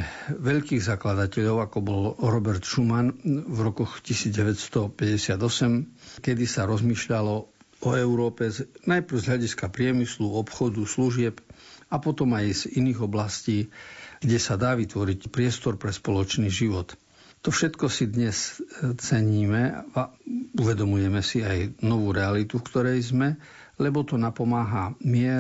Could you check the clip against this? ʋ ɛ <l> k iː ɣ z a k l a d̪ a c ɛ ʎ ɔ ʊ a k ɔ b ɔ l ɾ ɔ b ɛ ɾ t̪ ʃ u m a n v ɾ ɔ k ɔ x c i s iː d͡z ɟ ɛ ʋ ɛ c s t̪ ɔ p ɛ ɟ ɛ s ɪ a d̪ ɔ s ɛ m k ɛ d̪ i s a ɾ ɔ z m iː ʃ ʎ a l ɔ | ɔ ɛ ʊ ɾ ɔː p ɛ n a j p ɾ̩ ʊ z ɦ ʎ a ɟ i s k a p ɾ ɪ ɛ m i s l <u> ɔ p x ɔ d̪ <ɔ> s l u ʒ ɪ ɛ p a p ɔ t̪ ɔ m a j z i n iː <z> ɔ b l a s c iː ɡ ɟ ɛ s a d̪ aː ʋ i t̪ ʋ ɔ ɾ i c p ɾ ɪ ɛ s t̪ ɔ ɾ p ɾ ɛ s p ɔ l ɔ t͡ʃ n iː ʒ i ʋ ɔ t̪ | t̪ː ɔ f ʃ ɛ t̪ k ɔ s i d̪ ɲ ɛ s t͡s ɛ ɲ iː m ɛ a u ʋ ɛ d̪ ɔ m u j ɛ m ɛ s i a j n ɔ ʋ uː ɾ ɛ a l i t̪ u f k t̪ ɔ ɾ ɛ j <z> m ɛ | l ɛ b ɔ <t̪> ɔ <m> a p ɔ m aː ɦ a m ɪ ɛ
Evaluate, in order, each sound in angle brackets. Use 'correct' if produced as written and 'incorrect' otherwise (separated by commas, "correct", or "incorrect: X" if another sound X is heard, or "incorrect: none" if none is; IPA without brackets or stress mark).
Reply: incorrect: ʎ, correct, incorrect: u, incorrect: ɣ, correct, correct, incorrect: n